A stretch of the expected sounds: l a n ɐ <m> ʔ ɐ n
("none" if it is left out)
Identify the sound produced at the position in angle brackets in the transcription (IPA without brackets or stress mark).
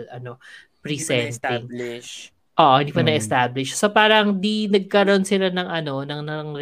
ŋ